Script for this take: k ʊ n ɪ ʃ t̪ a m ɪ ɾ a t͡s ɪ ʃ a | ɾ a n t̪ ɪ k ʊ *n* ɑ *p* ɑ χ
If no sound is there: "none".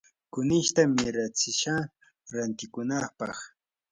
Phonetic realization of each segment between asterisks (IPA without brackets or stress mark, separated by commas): n, p